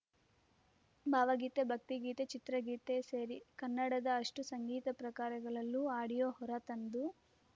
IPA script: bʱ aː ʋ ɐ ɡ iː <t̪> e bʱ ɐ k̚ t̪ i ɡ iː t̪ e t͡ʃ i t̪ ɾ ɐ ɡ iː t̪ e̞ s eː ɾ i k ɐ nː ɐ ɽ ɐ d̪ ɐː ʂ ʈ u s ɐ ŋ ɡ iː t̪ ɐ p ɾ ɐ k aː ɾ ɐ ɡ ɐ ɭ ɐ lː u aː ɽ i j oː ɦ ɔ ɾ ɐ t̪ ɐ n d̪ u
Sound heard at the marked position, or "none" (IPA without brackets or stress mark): t̪